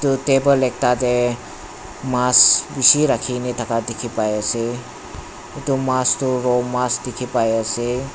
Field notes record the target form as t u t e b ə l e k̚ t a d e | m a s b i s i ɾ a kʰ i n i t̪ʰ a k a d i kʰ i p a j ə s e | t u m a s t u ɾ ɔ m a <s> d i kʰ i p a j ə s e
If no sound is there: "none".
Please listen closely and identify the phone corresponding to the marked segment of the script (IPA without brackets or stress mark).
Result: s